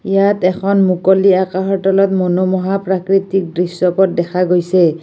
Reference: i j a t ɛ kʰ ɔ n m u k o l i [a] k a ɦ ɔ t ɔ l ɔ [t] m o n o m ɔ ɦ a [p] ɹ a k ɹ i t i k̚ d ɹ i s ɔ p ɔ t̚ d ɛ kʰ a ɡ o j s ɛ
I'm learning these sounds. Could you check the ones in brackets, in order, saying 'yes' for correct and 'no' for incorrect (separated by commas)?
yes, yes, yes